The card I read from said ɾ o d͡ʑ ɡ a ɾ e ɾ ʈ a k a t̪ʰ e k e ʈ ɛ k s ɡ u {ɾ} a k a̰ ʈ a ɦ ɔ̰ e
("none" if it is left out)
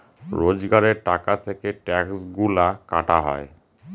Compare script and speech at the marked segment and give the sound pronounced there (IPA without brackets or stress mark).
l